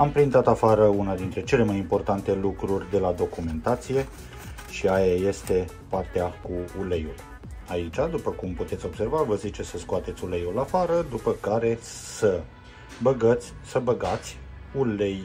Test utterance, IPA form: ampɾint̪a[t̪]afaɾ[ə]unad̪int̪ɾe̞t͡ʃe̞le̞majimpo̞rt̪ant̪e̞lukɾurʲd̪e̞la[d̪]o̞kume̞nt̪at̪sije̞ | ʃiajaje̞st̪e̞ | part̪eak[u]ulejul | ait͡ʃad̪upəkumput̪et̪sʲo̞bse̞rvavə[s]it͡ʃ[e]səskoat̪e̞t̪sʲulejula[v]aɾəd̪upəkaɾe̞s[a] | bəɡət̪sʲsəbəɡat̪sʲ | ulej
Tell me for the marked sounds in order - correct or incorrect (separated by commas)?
correct, correct, correct, correct, incorrect, correct, incorrect, incorrect